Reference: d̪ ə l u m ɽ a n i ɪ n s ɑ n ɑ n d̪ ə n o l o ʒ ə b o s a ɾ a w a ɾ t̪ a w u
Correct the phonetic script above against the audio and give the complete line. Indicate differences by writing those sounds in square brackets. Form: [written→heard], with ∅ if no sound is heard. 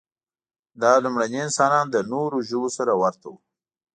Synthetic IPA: d̪ [ə→ɑ] l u m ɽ a n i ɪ n s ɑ n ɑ n d̪ ə n o [l→ɾ] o ʒ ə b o s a ɾ a w a ɾ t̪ a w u